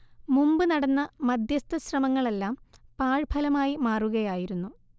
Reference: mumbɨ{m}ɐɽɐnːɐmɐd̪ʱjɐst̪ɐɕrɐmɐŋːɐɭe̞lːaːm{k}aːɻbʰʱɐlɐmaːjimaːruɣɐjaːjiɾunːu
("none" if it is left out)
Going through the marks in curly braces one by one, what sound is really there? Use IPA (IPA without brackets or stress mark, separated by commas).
n, p